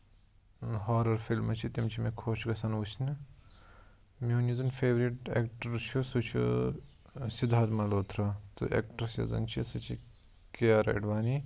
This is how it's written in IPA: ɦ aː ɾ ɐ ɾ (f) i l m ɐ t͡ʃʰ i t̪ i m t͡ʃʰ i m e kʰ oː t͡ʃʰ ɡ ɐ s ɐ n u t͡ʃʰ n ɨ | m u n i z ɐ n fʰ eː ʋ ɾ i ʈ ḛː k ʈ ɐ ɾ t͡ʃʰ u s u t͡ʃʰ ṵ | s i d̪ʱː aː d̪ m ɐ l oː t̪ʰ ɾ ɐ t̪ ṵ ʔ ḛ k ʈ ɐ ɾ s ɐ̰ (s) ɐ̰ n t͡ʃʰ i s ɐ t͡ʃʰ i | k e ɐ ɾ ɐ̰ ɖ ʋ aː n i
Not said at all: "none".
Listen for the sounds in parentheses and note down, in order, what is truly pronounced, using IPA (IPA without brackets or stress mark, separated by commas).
f, z